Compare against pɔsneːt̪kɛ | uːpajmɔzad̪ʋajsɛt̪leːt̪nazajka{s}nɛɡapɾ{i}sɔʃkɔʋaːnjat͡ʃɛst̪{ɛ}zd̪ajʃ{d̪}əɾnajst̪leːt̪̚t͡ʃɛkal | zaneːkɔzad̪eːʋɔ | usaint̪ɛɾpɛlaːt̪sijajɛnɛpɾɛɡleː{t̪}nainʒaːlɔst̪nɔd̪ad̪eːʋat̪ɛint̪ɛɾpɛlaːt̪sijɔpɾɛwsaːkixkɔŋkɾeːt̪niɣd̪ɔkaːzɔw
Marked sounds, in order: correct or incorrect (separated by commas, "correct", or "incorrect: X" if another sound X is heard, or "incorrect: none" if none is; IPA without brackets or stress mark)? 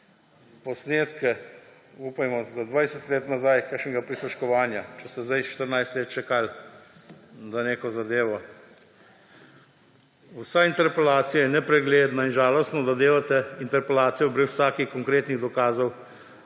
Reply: incorrect: ʃ, correct, correct, incorrect: t̪, incorrect: d̪